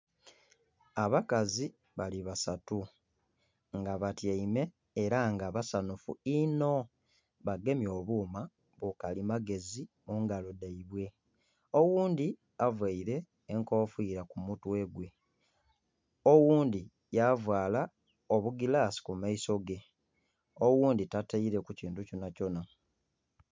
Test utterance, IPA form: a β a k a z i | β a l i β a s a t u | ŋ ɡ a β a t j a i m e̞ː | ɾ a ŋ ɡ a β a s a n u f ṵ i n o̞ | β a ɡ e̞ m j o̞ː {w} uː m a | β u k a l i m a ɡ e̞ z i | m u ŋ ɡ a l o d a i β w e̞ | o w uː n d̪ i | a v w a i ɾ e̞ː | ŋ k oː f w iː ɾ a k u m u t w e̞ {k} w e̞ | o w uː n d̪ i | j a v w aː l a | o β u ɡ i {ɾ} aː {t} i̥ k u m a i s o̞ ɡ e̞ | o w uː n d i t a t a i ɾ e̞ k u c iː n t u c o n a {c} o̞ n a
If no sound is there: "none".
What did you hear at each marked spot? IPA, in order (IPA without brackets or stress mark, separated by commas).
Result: β, ɡ, l, s, c